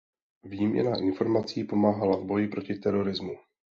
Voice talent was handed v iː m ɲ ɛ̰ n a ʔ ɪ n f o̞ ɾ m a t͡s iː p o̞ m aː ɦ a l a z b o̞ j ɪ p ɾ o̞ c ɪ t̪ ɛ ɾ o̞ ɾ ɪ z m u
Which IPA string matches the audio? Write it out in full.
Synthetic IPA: v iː m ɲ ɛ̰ n a ʔ ɪ n f o̞ ɾ m a t͡s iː p o̞ m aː ɦ a l a v b o̞ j ɪ p ɾ o̞ c ɪ t̪ ɛ ɾ o̞ ɾ ɪ z m u